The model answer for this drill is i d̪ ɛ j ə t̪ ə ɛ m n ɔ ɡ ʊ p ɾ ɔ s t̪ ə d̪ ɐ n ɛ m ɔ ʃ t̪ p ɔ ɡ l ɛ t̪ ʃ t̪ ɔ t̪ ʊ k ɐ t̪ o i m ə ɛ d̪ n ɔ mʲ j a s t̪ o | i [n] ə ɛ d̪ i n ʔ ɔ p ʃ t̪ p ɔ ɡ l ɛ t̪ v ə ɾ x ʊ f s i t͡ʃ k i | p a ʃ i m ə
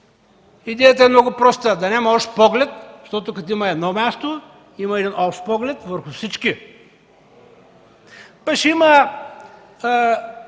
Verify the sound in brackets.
incorrect: m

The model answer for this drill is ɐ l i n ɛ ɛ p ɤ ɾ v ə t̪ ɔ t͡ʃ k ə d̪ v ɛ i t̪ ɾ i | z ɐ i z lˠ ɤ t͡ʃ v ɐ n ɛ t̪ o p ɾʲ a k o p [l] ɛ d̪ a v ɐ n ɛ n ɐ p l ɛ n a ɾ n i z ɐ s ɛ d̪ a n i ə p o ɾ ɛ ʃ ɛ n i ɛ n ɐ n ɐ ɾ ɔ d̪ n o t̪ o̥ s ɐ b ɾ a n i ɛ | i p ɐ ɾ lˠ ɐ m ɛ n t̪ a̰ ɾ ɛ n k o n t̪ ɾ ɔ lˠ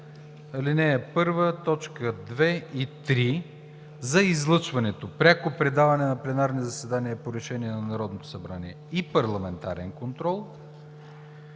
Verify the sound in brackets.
incorrect: ɾ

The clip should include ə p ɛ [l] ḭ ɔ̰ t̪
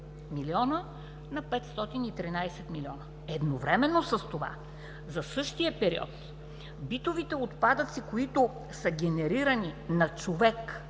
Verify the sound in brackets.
incorrect: ɾ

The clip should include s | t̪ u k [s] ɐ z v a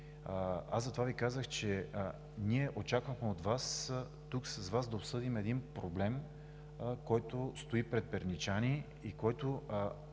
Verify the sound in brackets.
correct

